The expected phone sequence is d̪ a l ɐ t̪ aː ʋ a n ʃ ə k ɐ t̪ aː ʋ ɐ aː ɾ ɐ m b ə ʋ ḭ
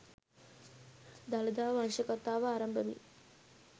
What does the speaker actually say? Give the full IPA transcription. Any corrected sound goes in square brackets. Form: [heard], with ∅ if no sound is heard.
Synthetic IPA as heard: d̪ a l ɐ [d̪] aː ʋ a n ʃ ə k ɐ t̪ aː ʋ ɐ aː ɾ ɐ m b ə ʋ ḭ

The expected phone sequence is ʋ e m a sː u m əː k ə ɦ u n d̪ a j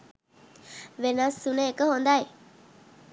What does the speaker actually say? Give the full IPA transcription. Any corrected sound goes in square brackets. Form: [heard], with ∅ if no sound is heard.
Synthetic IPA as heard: ʋ e [n] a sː u [n] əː k ə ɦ [o] n d̪ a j

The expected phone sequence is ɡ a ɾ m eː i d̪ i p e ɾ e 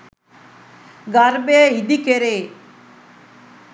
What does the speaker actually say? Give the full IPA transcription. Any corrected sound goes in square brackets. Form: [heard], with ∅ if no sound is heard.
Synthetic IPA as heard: ɡ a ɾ [b] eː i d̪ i [k] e ɾ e

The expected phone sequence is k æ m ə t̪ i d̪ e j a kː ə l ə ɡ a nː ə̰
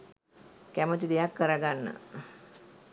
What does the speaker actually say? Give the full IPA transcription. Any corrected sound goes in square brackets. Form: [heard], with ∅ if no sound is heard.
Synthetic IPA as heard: k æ m ə t̪ i d̪ e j a kː ə [ɾ] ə ɡ a nː ə̰

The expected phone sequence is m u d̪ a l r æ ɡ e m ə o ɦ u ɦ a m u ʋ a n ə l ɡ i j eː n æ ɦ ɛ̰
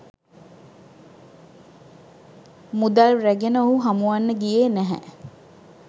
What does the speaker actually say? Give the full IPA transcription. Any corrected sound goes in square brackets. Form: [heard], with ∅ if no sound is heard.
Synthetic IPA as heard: m u d̪ a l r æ ɡ e [n] ə o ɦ u ɦ a m u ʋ a [nː] ə [∅] ɡ i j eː n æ ɦ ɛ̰

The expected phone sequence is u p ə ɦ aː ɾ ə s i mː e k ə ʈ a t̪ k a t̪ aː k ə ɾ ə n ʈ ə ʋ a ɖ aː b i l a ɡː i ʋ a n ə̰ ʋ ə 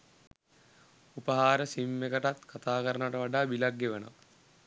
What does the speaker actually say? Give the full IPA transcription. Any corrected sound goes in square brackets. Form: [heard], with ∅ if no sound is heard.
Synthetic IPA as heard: u p ə ɦ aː ɾ ə s i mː e k ə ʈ a t̪ k a t̪ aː k ə ɾ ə n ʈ ə ʋ a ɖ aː b i l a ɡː [e] ʋ [ə] n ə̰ ʋ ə

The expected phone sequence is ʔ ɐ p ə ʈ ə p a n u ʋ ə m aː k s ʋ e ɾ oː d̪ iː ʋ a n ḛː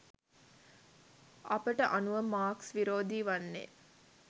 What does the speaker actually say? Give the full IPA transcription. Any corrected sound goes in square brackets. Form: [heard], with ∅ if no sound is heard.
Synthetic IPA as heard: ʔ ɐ p ə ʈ ə [ʔ] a n u ʋ ə m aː k s ʋ [i] ɾ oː d̪ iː ʋ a [nː] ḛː

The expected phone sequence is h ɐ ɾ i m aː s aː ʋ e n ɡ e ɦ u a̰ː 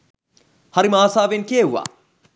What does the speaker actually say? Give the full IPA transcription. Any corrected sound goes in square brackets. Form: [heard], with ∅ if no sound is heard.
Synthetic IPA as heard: h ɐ ɾ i m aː s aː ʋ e n [k] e ɦ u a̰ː

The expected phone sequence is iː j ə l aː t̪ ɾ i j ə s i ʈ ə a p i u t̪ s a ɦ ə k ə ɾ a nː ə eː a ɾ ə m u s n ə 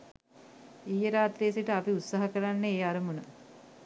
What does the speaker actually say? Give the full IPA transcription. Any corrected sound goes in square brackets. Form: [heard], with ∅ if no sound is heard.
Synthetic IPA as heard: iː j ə [ɾ] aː t̪ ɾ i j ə s i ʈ ə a p i u t̪ s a ɦ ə k ə ɾ a nː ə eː a ɾ ə m u [∅] n ə

